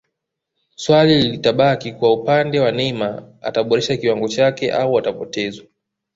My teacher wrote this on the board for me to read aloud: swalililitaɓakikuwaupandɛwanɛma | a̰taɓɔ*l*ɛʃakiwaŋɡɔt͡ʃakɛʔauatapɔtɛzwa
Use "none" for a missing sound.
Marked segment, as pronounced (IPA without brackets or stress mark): ɾ